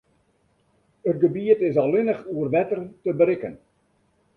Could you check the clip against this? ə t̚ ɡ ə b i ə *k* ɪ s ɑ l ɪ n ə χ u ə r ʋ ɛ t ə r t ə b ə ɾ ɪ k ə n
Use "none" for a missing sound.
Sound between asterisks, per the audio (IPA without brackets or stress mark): t